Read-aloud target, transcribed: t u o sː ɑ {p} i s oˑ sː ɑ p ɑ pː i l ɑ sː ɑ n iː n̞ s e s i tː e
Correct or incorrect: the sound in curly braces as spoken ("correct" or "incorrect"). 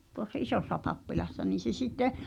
incorrect